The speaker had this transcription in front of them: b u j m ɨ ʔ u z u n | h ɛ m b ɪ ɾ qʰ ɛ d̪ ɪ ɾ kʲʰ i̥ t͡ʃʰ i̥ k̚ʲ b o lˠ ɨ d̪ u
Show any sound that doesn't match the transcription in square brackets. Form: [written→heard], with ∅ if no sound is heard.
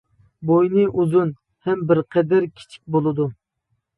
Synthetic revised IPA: b [u→o] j [m→n] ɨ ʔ u z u n | h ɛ m b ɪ ɾ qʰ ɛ d̪ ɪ ɾ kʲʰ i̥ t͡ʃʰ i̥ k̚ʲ b o lˠ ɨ d̪ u